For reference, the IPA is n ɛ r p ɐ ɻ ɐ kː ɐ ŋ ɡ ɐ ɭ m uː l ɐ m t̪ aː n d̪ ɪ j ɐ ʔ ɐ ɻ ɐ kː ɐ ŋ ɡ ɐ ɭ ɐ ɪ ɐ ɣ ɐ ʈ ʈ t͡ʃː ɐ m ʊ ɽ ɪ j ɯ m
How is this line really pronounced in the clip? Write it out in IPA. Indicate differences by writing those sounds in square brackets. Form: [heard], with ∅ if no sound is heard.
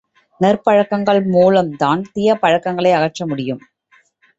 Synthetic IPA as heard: n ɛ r p ɐ ɻ ɐ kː ɐ ŋ ɡ ɐ ɭ m uː l ɐ m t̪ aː n [t̪] ɪ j ɐ [p] ɐ ɻ ɐ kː ɐ ŋ ɡ ɐ ɭ ɐ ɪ ɐ ɣ ɐ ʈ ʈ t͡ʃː ɐ m ʊ ɽ ɪ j ɯ m